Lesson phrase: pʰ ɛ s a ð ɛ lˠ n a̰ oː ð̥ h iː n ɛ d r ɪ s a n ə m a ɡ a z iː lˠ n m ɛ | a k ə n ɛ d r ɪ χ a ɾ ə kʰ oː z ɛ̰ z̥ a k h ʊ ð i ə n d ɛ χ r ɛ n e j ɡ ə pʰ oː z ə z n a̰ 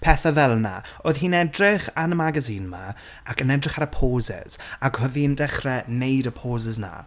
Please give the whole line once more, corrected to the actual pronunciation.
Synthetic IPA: pʰ ɛ θ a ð ɛ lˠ n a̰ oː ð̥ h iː n ɛ d r ɪ χ a n ə m a ɡ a z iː n m a | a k ə n ɛ d r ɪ χ a ɾ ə pʰ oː z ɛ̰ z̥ a k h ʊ ð i ə n d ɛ χ r ɛ n e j d ə pʰ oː z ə z n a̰